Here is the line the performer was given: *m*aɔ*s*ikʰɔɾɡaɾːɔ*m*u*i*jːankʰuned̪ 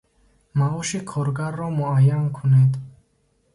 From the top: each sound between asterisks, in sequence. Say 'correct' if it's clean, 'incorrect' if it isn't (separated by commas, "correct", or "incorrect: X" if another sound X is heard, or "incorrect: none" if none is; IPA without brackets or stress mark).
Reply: correct, incorrect: ʃ, correct, incorrect: a